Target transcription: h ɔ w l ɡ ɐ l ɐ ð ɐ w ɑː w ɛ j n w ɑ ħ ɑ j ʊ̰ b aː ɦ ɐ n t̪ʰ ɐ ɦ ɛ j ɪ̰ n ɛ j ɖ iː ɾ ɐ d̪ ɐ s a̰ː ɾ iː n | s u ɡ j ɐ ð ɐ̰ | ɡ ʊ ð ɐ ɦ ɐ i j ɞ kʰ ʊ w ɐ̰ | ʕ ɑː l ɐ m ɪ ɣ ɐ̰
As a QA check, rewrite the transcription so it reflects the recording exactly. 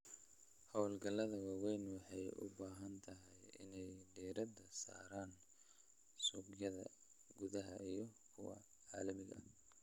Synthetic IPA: h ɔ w l ɡ ɐ l ɐ ð ɐ w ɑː w ɛ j n w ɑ ħ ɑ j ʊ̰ b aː ɦ ɐ n t̪ʰ ɐ ɦ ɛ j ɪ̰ n ɛ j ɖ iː ɾ ɐ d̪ ɐ s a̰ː ɾ aː n | s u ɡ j ɐ ð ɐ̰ | ɡ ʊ ð ɐ ɦ ɐ i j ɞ kʰ ʊ w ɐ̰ | ʕ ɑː l ɐ m ɪ ɣ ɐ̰